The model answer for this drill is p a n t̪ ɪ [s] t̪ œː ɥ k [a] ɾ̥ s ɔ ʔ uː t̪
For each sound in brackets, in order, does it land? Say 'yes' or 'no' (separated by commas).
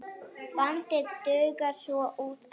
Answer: no, yes